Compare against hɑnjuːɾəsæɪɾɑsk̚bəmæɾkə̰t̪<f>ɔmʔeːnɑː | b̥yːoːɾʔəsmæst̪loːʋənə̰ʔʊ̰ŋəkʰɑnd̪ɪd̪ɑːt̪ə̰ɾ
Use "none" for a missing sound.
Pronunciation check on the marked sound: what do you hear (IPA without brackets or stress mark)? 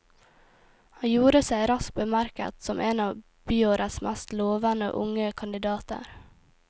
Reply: s